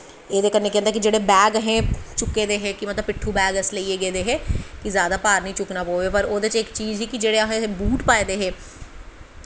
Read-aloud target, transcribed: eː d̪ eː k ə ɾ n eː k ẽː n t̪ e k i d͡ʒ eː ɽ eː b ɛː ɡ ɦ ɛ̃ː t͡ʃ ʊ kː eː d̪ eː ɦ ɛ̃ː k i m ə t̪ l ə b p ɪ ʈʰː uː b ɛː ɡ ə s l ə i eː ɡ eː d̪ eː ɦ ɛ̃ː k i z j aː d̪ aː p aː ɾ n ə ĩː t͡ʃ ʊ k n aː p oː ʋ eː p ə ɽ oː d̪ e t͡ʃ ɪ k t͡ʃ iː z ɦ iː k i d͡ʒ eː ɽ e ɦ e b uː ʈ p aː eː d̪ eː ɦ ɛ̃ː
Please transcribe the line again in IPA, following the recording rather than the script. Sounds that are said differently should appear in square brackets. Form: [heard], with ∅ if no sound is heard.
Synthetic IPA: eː d̪ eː k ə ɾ n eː k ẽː n [d̪] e k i d͡ʒ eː ɽ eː b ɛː ɡ ɦ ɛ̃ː t͡ʃ ʊ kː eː d̪ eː ɦ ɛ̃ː k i m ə t̪ l ə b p ɪ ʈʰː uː b ɛː ɡ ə s l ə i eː ɡ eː d̪ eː ɦ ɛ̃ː k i z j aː d̪ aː p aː ɾ n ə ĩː t͡ʃ ʊ k n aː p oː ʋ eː p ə [ɾ] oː d̪ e t͡ʃ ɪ k t͡ʃ iː z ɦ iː k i d͡ʒ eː ɽ e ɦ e b uː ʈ p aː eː d̪ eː ɦ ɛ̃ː